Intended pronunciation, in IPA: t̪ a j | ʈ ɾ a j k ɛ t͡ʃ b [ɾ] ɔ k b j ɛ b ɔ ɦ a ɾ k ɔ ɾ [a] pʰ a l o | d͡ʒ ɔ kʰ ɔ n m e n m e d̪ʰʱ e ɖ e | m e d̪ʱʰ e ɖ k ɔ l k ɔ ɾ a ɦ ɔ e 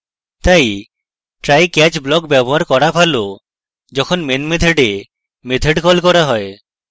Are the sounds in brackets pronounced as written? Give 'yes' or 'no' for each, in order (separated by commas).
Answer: no, yes